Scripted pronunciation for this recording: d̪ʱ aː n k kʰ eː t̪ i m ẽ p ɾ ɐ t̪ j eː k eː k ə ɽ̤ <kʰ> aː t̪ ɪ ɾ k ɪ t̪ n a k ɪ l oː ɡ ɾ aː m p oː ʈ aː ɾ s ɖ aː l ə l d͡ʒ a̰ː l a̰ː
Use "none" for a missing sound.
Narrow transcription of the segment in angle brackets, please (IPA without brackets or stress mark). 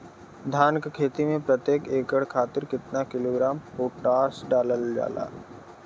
kʰ